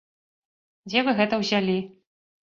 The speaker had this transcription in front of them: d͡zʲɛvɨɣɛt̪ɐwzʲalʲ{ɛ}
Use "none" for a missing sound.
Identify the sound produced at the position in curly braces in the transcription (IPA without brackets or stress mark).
i